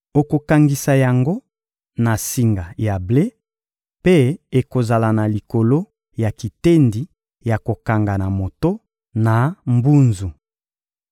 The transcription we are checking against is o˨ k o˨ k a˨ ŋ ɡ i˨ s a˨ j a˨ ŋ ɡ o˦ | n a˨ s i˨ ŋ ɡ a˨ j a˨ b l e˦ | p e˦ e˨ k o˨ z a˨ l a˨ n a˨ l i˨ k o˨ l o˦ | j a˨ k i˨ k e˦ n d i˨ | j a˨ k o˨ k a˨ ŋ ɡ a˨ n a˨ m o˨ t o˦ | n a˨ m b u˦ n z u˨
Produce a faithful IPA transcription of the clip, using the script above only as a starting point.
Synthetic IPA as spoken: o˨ k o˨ k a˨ ŋ ɡ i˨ s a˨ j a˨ ŋ ɡ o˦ | n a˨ s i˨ ŋ ɡ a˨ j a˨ b l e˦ | p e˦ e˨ k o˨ z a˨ l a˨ n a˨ l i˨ k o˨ l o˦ | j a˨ k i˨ t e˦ n d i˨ | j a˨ k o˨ k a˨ ŋ ɡ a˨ n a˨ m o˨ t o˦ | n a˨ m b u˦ n z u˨